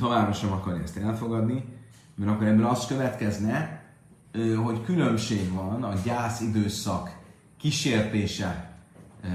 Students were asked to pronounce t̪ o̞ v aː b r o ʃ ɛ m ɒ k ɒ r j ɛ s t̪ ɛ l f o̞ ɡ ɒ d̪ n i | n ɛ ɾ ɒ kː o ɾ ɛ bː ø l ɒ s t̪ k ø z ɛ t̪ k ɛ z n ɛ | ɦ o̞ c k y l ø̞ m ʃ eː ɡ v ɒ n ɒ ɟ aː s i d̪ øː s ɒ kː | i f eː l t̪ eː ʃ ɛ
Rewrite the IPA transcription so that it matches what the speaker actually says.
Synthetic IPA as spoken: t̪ o̞ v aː b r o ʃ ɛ m ɒ k ɒ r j ɛ s t̪ ɛ l f o̞ ɡ ɒ d̪ n i | m ɛ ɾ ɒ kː o ɾ ɛ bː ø l ɒ s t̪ k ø v ɛ t̪ k ɛ z n ɛ | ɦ o̞ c k y l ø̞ m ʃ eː ɡ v ɒ n ɒ ɟ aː s i d̪ øː s ɒ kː | i ʃ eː r t̪ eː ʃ ɛ